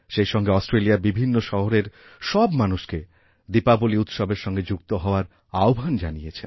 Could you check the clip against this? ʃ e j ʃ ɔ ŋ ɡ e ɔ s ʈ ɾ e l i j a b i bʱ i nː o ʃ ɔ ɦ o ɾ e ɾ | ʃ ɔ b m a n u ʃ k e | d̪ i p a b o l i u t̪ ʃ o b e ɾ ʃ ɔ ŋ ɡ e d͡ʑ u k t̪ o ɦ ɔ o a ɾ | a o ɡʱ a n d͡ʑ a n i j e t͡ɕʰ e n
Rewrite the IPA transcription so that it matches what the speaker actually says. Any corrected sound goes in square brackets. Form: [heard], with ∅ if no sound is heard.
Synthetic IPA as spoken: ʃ e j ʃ ɔ ŋ ɡ e ɔ s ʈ ɾ e l i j a b i bʱ i nː o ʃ ɔ ɦ o ɾ e ɾ | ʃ ɔ b m a n u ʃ k e | d̪ i p a b o l i u t̪ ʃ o b e ɾ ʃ ɔ ŋ ɡ e d͡ʑ u k t̪ o ɦ ɔ o a ɾ | a o [bʱ] a n d͡ʑ a n i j e t͡ɕʰ e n